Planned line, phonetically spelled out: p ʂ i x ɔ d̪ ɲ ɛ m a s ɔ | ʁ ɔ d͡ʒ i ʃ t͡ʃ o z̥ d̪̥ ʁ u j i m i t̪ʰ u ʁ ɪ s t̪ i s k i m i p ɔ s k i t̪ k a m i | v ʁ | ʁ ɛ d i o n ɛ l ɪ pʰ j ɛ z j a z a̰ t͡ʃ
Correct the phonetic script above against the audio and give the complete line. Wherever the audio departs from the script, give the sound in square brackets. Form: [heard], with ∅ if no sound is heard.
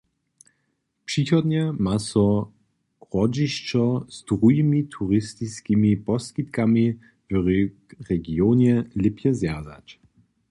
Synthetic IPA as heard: p ʂ i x ɔ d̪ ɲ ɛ m a s ɔ | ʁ ɔ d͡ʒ i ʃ t͡ʃ [ɔ] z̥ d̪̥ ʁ u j i m i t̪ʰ u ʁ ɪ s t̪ i s k i m i p ɔ s k i t̪ k a m i | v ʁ | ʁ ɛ [ɡ] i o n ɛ l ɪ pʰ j ɛ z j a z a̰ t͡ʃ